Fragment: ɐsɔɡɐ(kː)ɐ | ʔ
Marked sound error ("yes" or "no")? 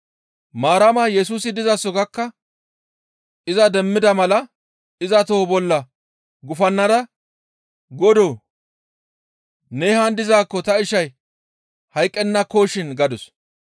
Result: no